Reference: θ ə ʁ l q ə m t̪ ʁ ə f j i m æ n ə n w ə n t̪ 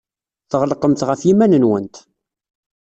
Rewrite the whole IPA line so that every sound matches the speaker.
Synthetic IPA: θ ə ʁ l q ə m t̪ ʁ ə f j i m æ n ə n w ə n t̪